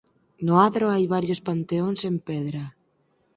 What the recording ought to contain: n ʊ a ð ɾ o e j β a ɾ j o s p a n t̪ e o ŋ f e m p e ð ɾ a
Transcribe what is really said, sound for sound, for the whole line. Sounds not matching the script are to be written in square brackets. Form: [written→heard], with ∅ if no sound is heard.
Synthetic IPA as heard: n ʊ a ð ɾ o [e→a] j β a ɾ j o s p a n t̪ e o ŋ [f→s] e m p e ð ɾ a